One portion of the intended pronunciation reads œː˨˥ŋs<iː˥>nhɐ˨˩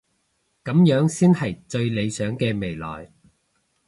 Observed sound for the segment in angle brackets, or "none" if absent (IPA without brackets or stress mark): iː˥